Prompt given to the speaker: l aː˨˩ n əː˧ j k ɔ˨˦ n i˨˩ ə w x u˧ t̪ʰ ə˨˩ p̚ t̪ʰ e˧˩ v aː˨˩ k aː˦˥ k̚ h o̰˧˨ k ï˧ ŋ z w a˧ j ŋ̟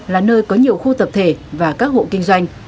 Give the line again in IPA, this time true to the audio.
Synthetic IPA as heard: l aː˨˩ n əː˧ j k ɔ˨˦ ɲ i˨˩ ə w x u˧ t̪ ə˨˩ p̚ t̪ʰ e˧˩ v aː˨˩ k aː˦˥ k̚ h o̰˧˨ k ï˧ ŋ z w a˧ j ŋ̟

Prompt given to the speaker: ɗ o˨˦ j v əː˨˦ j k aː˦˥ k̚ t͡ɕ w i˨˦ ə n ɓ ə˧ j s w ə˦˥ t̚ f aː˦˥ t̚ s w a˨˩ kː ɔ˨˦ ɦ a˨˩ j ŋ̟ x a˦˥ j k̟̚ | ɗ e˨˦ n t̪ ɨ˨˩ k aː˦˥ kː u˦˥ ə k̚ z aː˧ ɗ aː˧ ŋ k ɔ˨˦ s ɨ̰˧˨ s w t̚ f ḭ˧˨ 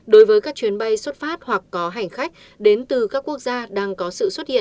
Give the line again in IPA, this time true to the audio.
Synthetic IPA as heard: ɗ o˨˦ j v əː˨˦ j k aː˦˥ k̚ t͡ɕ w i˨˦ ə n ɓ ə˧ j s w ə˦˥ t̚ f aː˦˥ t̚ h w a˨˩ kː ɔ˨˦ ɦ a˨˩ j ŋ̟ x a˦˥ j k̟̚ | ɗ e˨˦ n t̪ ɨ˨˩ k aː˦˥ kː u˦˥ ə k̚ z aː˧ ɗ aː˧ ŋ k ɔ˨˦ s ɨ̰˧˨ s w t̚ h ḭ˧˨

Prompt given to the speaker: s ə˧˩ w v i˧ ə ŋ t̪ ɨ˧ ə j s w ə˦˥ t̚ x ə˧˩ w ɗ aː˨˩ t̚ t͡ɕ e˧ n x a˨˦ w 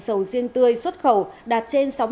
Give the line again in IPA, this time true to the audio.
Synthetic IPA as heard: s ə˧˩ w z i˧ ə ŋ t̪ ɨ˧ ə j s w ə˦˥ t̚ x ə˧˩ w ɗ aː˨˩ t̚ t͡ɕ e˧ n s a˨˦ w

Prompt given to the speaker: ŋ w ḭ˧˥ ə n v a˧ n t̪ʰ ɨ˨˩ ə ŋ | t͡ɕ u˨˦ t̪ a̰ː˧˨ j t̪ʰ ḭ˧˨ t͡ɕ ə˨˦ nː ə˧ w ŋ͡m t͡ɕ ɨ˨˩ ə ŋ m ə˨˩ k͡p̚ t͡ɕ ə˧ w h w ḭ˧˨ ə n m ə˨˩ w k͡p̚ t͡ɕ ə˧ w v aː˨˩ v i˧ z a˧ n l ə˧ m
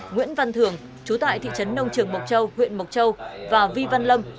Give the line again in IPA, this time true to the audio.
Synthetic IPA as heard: ŋ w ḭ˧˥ ə n v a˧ n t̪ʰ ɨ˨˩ ə ŋ | t͡ɕ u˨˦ t̪ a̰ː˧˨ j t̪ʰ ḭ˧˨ t͡ɕ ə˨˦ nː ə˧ w ŋ͡m t͡ɕ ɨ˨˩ ə ŋ m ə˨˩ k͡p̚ t͡ɕ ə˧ w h w ḭ˧˨ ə n m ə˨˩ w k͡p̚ t͡ɕ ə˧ w v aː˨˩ v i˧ v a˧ n l ə˧ m

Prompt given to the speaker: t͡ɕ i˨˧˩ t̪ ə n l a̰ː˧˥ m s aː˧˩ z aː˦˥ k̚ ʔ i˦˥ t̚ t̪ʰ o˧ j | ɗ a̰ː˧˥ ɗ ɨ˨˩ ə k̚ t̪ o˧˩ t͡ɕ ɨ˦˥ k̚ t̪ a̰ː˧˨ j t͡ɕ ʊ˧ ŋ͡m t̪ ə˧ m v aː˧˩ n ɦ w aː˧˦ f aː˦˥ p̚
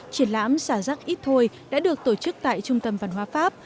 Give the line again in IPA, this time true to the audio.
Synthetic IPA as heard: t͡ɕ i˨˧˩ ə n l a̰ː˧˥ m s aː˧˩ z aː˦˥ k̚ ʔ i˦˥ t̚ t̪ʰ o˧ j | ɗ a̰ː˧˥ ɗ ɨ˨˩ ə k̚ t̪ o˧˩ t͡ɕ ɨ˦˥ k̚ t̪ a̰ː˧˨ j t͡ɕ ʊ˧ ŋ͡m t̪ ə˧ m v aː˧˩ n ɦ w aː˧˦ f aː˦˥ p̚

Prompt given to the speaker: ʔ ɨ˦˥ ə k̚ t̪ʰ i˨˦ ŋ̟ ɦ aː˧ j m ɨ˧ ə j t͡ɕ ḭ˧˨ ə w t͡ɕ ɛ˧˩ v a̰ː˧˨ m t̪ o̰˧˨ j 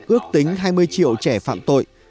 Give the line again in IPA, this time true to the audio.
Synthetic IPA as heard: ʔ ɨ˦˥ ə k̚ t̪ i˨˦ ŋ̟ ɦ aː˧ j m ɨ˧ ə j t͡ɕ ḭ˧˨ ə w t͡ɕ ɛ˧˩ f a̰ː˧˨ m t̪ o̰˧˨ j

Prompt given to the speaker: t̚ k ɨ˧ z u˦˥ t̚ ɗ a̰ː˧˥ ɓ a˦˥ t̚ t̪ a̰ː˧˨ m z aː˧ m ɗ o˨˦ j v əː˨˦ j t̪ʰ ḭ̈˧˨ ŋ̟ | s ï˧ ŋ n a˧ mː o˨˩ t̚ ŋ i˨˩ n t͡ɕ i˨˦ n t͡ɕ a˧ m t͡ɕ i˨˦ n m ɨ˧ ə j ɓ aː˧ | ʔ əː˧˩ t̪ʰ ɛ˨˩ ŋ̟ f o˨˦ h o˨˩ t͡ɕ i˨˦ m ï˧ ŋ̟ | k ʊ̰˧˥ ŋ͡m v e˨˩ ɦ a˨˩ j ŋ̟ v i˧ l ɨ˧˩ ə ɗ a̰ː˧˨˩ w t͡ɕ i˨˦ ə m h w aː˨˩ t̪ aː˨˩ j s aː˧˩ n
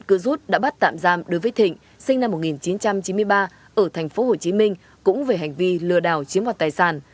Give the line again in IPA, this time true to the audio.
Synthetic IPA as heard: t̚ k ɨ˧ z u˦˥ t̚ ɗ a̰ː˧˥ ɓ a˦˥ t̚ t̪ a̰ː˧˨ m z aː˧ m ɗ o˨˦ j v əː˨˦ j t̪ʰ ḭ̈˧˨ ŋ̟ | s ï˧ ŋ n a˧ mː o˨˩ t̚ ŋ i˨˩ n t͡ɕ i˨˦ n t͡ɕ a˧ m t͡ɕ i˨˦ n m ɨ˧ ə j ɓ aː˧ | ʔ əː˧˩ t̪ʰ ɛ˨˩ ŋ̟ f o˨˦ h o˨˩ t͡ɕ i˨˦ m ï˧ ŋ̟ | k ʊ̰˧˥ ŋ͡m v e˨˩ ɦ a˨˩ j ŋ̟ v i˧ l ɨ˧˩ ə ɗ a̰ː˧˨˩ w t͡ɕ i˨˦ ə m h w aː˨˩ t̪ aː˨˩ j s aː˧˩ n

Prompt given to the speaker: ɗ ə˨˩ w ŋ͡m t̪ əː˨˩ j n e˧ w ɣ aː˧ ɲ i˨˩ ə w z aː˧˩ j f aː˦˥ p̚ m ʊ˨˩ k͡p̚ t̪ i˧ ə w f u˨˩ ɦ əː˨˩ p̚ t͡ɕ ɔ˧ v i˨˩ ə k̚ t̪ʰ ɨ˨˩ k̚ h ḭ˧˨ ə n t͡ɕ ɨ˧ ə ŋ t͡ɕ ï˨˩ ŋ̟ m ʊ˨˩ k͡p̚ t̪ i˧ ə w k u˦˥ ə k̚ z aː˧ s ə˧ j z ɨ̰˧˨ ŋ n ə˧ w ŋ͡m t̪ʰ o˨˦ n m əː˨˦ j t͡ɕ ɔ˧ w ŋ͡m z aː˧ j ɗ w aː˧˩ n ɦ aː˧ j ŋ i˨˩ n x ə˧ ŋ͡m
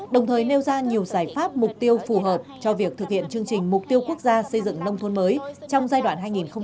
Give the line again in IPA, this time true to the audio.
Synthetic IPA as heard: ɗ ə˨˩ w ŋ͡m t̪ʰ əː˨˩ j n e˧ w z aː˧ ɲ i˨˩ ə w z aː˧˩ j f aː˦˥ p̚ m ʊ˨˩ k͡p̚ t̪ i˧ ə w f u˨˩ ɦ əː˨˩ p̚ t͡ɕ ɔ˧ v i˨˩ ə k̚ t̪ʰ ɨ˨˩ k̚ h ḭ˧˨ ə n t͡ɕ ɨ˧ ə ŋ t͡ɕ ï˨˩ ŋ̟ m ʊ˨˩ k͡p̚ t̪ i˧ ə w k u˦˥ ə k̚ z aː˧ s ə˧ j z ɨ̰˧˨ ŋ n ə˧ w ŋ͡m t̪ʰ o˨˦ n m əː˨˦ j t͡ɕ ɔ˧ w ŋ͡m z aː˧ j ɗ w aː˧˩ n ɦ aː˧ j ŋ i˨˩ n x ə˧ ŋ͡m

